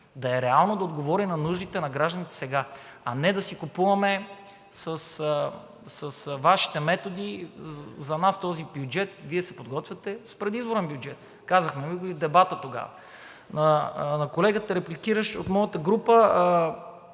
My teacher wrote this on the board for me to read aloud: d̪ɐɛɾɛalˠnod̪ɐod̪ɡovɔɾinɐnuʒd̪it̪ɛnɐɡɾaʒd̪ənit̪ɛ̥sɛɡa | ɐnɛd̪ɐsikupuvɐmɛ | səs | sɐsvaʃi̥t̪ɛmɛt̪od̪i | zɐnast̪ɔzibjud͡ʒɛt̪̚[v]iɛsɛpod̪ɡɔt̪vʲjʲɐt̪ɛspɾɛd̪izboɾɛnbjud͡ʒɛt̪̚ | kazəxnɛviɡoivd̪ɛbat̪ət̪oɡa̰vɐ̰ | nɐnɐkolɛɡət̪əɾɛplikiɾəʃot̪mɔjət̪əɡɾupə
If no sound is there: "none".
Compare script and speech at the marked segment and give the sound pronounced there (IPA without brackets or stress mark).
v